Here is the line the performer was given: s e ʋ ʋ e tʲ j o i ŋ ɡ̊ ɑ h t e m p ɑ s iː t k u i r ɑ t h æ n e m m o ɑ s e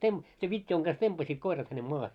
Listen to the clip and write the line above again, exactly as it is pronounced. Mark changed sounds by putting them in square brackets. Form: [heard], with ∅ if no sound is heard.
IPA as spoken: s e ʋ ʋ [i] tʲ j o i ŋ ɡ̊ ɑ [s] t e m p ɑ s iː t k [o] i r ɑ t h æ n e m m o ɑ [h] e